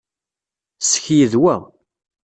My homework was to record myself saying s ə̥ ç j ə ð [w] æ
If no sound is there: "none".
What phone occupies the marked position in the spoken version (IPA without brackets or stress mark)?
w